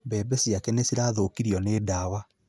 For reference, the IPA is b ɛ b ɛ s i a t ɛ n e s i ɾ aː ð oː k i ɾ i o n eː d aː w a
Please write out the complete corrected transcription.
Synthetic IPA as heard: b ɛ b ɛ s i a k ɛ n e s i ɾ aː ð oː k i ɾ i ɔ n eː d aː w a